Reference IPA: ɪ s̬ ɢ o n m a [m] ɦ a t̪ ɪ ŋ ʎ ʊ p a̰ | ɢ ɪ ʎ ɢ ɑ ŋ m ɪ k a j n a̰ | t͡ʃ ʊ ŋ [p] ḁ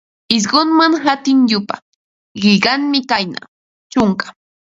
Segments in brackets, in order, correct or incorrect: incorrect: ŋ, incorrect: k

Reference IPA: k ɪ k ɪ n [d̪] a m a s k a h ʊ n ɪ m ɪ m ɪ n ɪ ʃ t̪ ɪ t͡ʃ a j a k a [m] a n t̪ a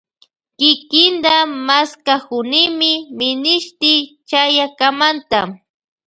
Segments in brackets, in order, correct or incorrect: correct, correct

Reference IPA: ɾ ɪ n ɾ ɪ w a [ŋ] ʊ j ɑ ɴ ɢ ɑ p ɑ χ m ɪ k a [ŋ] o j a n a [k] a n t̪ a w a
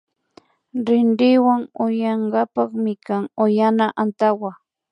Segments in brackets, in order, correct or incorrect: correct, correct, incorrect: ʔ

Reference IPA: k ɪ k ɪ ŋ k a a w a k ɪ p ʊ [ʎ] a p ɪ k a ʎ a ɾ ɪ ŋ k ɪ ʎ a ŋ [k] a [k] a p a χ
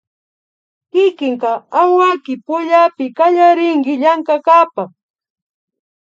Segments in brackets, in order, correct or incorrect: correct, correct, correct

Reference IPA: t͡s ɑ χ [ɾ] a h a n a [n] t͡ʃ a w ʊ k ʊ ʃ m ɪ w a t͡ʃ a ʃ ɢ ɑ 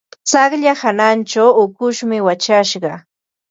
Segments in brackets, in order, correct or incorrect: incorrect: ʎ, correct

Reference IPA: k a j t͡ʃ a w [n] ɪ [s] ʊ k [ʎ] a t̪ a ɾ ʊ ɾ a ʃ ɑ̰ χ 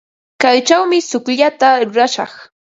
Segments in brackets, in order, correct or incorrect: incorrect: m, correct, correct

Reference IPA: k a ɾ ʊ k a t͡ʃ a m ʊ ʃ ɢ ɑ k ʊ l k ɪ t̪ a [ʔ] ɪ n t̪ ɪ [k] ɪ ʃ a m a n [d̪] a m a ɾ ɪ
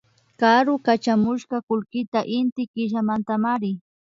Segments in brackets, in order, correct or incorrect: correct, correct, incorrect: t̪

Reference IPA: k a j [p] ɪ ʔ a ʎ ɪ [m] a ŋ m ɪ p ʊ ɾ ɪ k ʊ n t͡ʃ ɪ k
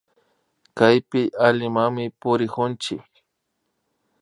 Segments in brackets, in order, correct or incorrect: correct, correct

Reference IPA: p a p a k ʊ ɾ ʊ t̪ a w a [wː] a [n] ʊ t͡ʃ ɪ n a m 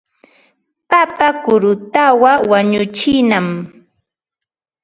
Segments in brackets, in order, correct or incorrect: incorrect: w, incorrect: ɲ

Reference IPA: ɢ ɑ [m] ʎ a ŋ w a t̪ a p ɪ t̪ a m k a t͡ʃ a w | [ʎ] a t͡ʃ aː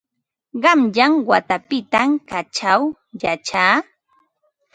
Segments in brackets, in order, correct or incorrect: correct, incorrect: j

